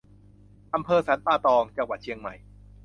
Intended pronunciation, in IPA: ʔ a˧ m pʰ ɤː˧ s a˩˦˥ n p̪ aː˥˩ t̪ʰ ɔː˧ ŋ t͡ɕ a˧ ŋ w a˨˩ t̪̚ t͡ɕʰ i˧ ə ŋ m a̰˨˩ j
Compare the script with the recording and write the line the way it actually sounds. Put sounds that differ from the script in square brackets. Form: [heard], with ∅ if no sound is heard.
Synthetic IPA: ʔ a˧ m pʰ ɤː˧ s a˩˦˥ n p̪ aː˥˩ [t̪] ɔː˧ ŋ t͡ɕ a˧ ŋ w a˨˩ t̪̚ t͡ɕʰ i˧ ə ŋ m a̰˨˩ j